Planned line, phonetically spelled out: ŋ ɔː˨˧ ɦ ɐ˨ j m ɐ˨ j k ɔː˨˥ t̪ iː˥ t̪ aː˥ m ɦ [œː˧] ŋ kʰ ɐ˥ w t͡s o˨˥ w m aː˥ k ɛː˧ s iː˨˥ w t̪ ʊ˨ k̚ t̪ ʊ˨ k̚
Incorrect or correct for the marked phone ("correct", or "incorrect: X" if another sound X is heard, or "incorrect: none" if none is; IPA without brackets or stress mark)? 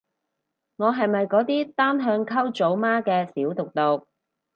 correct